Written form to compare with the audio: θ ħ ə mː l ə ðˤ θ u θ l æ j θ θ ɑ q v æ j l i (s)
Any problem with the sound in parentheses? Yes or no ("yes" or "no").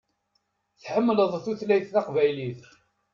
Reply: yes